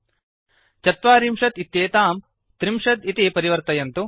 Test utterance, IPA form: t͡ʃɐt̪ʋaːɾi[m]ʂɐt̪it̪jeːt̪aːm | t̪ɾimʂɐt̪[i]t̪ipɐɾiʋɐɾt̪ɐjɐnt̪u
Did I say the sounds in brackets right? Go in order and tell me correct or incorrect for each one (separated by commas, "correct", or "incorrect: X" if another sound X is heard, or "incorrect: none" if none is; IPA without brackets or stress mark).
correct, correct